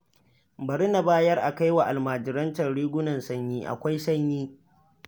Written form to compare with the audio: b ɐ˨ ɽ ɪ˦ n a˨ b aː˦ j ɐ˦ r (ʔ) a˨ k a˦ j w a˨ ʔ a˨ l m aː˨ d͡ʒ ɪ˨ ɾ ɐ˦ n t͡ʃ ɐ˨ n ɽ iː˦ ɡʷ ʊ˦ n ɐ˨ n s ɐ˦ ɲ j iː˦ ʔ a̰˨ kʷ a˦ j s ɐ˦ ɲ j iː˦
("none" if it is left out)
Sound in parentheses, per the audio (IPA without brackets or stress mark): ʔ